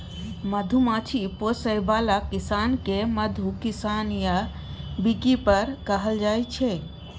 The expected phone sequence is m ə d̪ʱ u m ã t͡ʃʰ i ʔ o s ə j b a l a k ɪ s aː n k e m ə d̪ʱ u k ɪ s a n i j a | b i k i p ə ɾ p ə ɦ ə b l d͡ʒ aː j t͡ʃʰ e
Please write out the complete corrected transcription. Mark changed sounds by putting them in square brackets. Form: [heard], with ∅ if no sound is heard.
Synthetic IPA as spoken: m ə d̪ʱ u m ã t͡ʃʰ i [p] o s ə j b a l a k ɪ s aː n k e m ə d̪ʱ u k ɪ s a n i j a | b i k i p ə ɾ [k] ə ɦ ə [∅] l d͡ʒ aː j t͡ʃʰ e